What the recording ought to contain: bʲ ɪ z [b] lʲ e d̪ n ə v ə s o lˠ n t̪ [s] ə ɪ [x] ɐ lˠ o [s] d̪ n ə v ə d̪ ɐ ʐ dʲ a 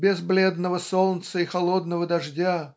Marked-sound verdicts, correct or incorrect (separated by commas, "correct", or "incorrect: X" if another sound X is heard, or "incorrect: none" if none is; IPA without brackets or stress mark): correct, correct, correct, incorrect: none